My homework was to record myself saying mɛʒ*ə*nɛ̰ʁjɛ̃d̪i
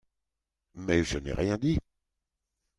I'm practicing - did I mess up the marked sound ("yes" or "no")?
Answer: no